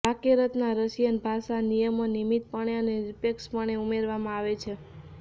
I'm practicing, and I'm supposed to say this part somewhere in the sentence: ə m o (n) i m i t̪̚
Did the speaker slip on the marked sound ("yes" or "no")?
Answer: no